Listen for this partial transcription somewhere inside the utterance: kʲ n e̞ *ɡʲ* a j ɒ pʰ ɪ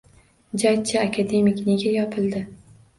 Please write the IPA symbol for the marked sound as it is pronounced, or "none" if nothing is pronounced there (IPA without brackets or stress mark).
ɡʲ